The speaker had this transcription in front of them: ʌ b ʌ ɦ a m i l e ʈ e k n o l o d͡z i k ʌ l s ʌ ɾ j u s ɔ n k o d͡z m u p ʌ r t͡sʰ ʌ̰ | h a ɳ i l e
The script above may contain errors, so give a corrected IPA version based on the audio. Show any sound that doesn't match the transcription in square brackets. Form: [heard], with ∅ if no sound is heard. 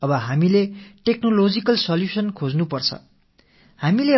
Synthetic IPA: ʌ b ʌ ɦ a m i l e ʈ e k n o l o d͡z i k ʌ l s ʌ [l] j u s [ʌ] n [kʰ] o d͡z [n] u p ʌ r t͡sʰ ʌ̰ | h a [m] i l e

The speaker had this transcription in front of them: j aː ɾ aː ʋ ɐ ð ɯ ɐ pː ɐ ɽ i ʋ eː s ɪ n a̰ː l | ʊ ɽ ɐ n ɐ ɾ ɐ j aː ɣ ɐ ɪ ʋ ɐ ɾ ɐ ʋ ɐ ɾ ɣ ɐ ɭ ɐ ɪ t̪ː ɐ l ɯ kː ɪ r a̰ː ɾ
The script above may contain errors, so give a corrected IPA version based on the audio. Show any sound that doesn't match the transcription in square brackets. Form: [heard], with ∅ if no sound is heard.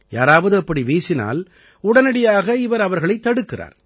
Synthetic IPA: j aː ɾ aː ʋ ɐ ð ɯ ɐ pː ɐ ɽ i ʋ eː s ɪ n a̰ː l | ʊ ɽ ɐ n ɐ [ɽ] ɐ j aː ɣ ɐ ɪ ʋ ɐ ɾ ɐ ʋ ɐ ɾ ɣ ɐ ɭ ɐ ɪ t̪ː ɐ [ɽ] ɯ kː ɪ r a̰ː ɾ

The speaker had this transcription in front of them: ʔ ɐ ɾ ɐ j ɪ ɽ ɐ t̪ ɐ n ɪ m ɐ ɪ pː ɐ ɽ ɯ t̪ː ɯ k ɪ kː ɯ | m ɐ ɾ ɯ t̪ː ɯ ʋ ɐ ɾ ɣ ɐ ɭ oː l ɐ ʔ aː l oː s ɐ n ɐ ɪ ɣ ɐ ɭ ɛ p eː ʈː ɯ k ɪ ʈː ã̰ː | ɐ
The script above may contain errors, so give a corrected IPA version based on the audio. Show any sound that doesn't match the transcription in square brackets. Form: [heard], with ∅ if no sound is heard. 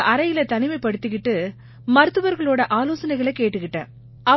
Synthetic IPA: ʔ ɐ ɾ ɐ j ɪ [l] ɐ t̪ ɐ n ɪ m ɐ ɪ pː ɐ ɽ ɯ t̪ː ɯ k ɪ [ʈː] ɯ | m ɐ ɾ ɯ t̪ː ɯ ʋ ɐ ɾ ɣ ɐ ɭ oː [ɽ] ɐ ʔ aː l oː s ɐ n ɐ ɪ ɣ ɐ ɭ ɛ [k] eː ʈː ɯ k ɪ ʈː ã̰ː | ɐ

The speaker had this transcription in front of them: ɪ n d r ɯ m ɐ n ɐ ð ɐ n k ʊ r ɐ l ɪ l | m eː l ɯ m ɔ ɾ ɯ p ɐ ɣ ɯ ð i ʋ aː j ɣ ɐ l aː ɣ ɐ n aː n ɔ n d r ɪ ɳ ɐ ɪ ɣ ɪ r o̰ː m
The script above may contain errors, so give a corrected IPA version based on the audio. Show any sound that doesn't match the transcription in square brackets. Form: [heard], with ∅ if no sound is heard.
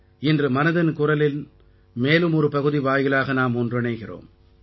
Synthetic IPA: ɪ n d r ɯ m ɐ n ɐ ð ɐ n k ʊ r ɐ l ɪ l | m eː l ɯ m ɔ ɾ ɯ p ɐ ɣ ɯ ð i ʋ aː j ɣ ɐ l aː ɣ ɐ n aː [m] ɔ n d r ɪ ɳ ɐ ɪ ɣ ɪ r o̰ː m

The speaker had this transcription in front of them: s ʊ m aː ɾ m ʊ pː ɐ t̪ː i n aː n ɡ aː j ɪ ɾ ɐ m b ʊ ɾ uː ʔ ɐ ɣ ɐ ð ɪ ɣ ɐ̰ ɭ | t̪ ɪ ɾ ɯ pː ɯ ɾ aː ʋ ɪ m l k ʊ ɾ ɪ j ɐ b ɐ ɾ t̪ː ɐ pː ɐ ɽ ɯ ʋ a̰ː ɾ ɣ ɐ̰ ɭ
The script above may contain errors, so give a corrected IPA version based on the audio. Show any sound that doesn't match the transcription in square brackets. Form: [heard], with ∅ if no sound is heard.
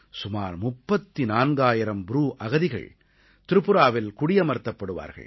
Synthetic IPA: s ʊ m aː ɾ m ʊ pː ɐ t̪ː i n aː n ɡ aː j ɪ ɾ ɐ m b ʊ ɾ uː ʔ ɐ ɣ ɐ ð ɪ ɣ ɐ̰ ɭ | t̪ ɪ ɾ ɯ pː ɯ ɾ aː ʋ ɪ [∅] l k ʊ [ɽ] ɪ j ɐ [m] ɐ ɾ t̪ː ɐ pː ɐ ɽ ɯ ʋ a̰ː ɾ ɣ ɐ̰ ɭ

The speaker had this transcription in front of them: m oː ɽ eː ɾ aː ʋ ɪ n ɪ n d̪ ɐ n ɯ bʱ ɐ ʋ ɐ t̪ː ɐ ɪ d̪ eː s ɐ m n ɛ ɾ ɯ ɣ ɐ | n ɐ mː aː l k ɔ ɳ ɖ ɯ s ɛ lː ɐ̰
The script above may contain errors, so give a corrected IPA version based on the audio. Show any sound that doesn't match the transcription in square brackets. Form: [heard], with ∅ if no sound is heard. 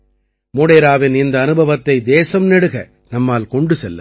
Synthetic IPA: m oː ɽ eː ɾ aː ʋ ɪ n ɪ n d̪ [ɐː] n ɯ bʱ ɐ ʋ ɐ t̪ː ɐ ɪ d̪ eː s ɐ m n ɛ [ɽ] ɯ ɣ ɐ | n ɐ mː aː l k ɔ ɳ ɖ ɯ s ɛ lː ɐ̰

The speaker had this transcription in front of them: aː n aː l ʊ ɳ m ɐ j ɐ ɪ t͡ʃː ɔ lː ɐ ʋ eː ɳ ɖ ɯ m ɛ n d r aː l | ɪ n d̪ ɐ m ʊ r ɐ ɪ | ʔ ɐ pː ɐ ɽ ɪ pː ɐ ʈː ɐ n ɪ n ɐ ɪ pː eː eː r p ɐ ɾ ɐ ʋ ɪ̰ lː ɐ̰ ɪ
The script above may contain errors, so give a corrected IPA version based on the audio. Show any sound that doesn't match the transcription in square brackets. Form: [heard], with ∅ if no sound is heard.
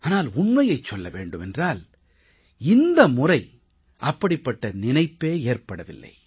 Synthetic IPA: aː n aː l ʊ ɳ m ɐ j ɐ ɪ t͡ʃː ɔ lː ɐ ʋ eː ɳ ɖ ɯ m ɛ n d r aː l | ɪ n d̪ ɐ m ʊ r ɐ ɪ | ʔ ɐ pː ɐ ɽ ɪ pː ɐ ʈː ɐ n ɪ n ɐ ɪ pː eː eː r p ɐ [ɽ] ɐ ʋ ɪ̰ lː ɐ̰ ɪ

